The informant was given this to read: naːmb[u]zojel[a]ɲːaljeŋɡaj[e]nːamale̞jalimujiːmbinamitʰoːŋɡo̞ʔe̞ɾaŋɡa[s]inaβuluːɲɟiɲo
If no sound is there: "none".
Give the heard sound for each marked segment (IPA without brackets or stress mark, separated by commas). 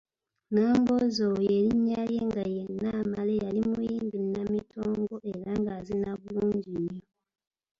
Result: o, i, e, z